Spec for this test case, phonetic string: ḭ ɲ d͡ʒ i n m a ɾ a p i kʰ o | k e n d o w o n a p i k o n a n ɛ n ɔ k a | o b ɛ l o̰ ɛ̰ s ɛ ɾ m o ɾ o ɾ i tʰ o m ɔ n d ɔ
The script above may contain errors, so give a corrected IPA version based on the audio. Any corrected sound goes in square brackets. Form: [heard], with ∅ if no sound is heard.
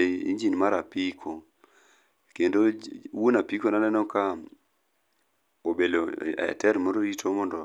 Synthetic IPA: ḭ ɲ d͡ʒ i n m a ɾ a p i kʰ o | k e n d o w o n a p i k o n a n ɛ n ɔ k a | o b [e] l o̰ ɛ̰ [t] ɛ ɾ m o ɾ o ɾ i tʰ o m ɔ n d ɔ